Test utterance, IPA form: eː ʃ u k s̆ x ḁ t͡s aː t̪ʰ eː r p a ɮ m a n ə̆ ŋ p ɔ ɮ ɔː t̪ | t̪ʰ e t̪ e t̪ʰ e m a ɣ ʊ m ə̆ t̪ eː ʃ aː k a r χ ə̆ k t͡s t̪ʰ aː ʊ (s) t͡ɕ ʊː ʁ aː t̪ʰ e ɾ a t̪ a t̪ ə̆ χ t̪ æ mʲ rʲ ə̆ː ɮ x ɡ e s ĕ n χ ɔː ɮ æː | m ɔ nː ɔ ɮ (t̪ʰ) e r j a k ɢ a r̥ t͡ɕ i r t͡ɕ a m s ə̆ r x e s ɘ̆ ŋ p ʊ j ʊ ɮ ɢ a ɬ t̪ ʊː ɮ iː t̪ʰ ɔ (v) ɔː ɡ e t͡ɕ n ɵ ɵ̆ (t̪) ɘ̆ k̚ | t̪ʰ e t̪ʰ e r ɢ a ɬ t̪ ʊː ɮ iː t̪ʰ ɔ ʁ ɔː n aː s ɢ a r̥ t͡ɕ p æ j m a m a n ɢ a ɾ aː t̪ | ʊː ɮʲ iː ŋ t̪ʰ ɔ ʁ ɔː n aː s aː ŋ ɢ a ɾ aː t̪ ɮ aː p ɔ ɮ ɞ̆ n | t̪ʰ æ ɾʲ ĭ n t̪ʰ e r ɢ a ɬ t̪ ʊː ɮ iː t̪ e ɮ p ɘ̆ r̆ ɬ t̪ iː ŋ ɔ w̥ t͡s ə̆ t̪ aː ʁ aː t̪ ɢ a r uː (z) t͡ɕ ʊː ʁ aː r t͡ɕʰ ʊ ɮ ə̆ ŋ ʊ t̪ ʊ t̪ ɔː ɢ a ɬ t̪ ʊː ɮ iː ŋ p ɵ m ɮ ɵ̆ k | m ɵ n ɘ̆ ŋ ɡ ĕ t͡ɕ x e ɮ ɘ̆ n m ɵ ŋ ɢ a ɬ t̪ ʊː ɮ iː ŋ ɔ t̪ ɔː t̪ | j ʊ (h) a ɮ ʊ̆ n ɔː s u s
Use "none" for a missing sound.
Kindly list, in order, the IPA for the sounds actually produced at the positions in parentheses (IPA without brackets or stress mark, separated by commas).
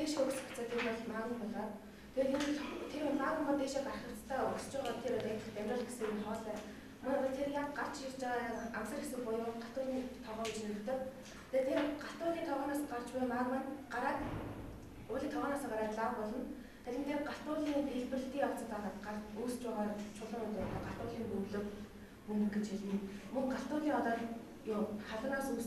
s, t̪ʰ, ʁ, t̪, s, χ